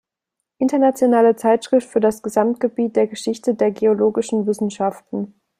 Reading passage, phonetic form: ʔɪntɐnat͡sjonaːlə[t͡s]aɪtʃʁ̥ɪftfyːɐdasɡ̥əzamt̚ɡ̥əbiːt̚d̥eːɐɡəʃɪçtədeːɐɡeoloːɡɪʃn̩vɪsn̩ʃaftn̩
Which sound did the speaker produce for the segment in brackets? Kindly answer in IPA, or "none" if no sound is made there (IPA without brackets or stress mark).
t͡s